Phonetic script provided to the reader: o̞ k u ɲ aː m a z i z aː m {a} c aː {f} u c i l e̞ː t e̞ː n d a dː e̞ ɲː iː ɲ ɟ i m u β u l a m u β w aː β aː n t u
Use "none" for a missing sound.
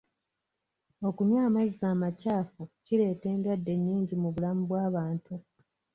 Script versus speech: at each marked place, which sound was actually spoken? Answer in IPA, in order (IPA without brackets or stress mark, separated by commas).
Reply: a, f